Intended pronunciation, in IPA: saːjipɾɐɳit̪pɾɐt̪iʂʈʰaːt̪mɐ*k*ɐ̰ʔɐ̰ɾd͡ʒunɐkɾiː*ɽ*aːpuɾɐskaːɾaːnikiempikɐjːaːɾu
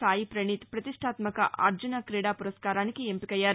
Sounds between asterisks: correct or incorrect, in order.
correct, correct

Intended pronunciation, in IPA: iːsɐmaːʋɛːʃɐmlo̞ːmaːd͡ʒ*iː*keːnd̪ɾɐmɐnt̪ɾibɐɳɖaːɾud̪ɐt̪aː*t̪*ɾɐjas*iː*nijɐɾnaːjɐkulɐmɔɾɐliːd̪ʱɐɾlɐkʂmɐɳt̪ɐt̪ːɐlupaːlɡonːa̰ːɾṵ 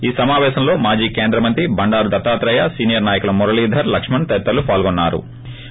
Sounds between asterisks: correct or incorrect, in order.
correct, correct, correct

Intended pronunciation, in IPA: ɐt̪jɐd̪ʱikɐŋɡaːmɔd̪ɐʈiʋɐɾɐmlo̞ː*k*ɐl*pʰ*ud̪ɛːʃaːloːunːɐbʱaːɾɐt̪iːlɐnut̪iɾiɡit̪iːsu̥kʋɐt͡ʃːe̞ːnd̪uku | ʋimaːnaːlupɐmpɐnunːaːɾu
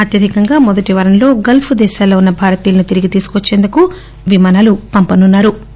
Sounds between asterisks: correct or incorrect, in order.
incorrect: ɡ, correct

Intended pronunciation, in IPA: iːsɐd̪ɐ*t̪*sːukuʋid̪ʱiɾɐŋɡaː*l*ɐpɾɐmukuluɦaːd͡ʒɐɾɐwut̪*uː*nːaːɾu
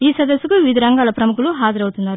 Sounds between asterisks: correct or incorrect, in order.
incorrect: none, correct, incorrect: u

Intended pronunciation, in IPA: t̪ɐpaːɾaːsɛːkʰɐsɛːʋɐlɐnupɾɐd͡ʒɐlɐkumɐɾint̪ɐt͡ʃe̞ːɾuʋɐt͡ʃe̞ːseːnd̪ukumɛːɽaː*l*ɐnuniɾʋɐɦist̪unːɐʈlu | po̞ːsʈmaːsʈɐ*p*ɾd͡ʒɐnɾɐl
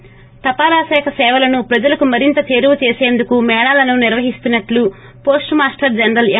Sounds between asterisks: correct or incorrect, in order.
correct, incorrect: none

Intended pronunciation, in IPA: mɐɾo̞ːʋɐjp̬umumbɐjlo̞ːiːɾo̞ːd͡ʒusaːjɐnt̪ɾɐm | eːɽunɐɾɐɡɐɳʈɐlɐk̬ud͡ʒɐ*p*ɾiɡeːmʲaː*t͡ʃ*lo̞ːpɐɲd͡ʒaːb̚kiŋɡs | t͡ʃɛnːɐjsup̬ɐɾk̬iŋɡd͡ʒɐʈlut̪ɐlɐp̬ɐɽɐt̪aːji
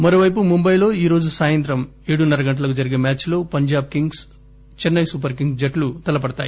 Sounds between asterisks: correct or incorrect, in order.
incorrect: none, correct

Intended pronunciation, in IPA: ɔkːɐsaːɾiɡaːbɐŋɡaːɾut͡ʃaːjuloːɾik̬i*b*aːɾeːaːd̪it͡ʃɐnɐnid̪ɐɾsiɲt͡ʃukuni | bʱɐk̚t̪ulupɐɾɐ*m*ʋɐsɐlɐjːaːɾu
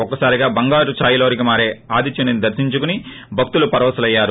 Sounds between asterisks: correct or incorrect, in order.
incorrect: m, incorrect: none

